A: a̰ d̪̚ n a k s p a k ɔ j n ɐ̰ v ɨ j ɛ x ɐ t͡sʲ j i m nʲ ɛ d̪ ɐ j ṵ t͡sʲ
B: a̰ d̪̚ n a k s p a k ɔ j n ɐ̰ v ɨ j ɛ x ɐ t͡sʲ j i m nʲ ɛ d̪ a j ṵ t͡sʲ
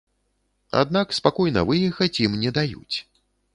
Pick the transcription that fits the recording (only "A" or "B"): B